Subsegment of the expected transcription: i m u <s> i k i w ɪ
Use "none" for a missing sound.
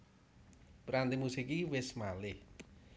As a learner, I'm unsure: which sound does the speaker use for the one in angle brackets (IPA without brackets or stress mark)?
s